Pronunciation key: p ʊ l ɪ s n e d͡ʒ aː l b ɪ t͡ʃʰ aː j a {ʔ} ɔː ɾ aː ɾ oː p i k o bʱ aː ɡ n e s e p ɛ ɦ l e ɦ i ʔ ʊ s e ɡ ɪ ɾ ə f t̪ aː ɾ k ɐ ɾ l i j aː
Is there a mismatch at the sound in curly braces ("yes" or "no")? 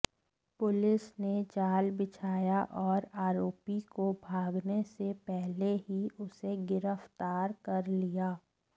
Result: no